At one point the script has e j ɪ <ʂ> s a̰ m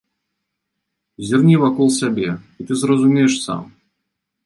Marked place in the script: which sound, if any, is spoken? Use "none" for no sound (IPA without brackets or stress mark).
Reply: ʂ